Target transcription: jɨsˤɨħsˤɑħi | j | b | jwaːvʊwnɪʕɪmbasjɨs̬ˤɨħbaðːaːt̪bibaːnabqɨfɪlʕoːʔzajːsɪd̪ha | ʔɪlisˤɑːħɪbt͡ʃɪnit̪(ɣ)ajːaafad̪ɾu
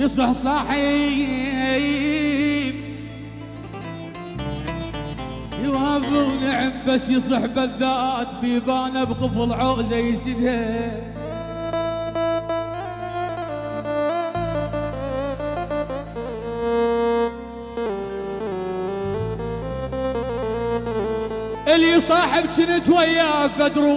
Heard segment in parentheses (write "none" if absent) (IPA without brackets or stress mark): w